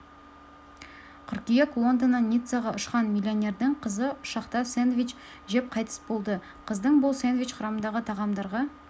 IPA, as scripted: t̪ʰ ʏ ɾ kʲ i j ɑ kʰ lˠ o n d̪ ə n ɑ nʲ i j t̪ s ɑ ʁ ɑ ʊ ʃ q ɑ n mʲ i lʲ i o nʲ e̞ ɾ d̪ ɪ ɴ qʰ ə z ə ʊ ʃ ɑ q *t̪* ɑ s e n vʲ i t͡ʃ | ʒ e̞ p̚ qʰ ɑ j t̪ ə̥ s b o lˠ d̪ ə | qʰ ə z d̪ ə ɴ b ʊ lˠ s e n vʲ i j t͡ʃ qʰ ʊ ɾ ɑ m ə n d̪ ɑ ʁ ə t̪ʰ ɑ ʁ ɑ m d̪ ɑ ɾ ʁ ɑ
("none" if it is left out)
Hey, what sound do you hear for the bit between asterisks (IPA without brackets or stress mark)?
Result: t̪